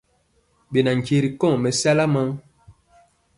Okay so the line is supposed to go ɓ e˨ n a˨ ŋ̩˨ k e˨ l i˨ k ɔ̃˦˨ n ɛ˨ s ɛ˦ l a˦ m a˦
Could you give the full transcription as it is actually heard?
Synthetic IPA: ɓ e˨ n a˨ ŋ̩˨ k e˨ ɾ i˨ k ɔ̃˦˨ m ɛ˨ s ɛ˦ l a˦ m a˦